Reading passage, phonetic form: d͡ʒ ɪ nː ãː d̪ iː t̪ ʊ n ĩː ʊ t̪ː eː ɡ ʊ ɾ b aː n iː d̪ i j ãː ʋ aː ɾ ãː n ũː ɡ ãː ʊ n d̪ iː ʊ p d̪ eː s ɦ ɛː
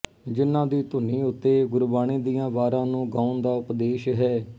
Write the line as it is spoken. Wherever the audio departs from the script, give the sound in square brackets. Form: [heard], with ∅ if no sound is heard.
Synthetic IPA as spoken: d͡ʒ ɪ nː ãː d̪ iː t̪ ʊ n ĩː ʊ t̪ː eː ɡ ʊ ɾ b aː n iː d̪ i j ãː ʋ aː ɾ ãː n ũː ɡ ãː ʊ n d̪ [aː] ʊ p d̪ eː [ʃ] ɦ ɛː